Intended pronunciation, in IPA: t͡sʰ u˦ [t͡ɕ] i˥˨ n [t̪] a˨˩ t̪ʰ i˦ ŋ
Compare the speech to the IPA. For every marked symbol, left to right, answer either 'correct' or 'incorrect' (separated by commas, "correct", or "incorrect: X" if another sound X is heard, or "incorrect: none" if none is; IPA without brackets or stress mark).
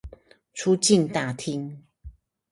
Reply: correct, correct